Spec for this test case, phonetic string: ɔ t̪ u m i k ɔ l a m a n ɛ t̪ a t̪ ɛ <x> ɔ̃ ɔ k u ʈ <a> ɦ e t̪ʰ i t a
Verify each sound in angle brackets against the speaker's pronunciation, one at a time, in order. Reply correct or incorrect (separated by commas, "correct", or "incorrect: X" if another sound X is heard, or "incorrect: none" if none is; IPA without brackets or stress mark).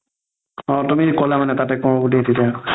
incorrect: k, incorrect: i